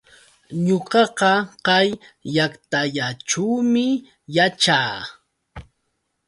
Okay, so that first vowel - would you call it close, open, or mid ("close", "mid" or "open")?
mid